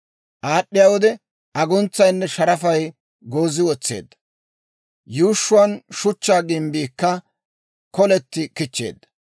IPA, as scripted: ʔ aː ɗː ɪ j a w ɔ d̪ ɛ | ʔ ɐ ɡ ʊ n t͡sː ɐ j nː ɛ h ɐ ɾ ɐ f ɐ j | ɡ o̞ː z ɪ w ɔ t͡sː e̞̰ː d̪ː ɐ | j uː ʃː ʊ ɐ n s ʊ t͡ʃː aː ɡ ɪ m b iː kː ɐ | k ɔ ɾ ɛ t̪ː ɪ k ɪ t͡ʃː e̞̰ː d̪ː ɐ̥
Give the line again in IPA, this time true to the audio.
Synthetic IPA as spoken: ʔ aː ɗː ɪ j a w ɔ d̪ ɛ | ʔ ɐ ɡ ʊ n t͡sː ɐ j nː ɛ ʃ ɐ ɾ ɐ f ɐ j | ɡ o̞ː z ɪ w ɔ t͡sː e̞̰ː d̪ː ɐ | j uː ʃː ʊ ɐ n ʃ ʊ t͡ʃː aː ɡ ɪ m b iː kː ɐ | k ɔ l ɛ t̪ː ɪ k ɪ t͡ʃː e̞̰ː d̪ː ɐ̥